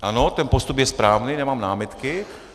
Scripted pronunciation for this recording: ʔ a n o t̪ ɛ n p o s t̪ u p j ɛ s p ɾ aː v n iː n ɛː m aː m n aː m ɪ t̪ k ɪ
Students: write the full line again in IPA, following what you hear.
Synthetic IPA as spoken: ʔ a n o t̪ ɛ n p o s t̪ u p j ɛ s p ɾ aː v n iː n ɛ m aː m n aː m ɪ t̪ k ɪ